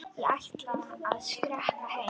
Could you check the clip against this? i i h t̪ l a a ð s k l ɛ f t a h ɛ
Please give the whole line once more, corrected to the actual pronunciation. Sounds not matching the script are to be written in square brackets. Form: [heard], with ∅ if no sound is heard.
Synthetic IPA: i [a] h t̪ l a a ð s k [ɾ] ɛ [h] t a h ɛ

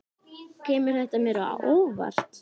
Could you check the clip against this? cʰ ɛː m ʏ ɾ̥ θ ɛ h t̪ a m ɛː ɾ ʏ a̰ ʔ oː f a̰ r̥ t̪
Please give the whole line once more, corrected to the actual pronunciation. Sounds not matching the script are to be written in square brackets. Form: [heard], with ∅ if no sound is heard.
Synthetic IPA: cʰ ɛː m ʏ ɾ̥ θ ɛ h t̪ a m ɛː ɾ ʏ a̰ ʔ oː [v] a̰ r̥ t̪

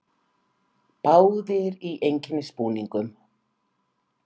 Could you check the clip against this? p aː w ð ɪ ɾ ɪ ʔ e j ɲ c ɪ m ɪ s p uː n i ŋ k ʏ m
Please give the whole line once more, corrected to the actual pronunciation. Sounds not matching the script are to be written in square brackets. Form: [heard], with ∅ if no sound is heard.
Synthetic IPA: p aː w ð ɪ ɾ [i] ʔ e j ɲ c ɪ [n] ɪ s p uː n i ŋ k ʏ m

